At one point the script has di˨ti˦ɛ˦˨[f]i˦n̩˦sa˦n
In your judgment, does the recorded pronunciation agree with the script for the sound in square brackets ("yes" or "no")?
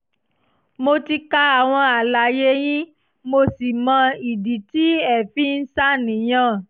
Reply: yes